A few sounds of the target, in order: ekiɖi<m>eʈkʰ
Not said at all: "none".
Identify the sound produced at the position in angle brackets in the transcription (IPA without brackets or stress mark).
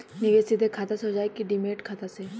m